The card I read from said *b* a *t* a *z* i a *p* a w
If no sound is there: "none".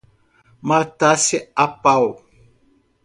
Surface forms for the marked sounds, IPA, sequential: m, t, s, p

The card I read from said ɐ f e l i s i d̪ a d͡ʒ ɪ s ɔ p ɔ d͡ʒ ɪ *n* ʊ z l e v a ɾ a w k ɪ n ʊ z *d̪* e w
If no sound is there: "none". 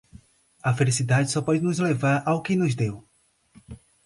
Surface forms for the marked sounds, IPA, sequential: n, d̪

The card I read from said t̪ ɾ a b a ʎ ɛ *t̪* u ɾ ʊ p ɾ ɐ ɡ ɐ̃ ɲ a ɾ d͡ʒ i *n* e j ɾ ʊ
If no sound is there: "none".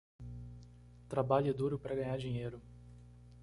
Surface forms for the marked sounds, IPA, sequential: d̪, ɲ

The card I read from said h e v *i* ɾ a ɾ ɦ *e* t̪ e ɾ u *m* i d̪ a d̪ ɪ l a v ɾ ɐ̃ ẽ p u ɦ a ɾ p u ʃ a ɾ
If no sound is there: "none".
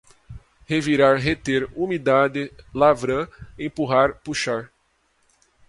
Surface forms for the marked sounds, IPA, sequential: i, e, m

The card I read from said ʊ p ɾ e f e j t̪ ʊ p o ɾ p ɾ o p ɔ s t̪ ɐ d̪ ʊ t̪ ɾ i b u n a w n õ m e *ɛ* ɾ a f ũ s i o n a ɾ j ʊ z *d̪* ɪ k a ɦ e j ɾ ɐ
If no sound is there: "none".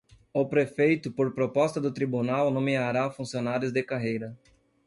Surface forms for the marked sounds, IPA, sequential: a, d̪

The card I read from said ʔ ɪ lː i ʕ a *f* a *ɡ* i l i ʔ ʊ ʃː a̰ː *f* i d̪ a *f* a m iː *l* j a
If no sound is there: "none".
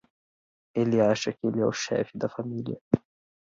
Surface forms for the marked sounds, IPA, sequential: ʃ, k, f, f, l

